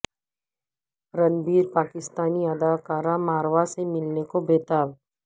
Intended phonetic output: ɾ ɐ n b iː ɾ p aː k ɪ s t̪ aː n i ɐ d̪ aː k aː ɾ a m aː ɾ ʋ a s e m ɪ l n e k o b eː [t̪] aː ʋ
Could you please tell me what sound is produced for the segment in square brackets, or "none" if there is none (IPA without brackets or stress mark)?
t̪